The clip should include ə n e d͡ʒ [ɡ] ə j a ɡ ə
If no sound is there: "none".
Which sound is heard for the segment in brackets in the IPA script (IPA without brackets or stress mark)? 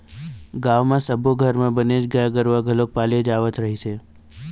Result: ɡ